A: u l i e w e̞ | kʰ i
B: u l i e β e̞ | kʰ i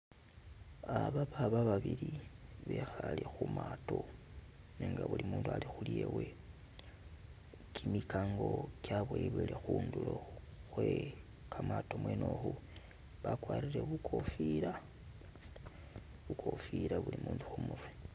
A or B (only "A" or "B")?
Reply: A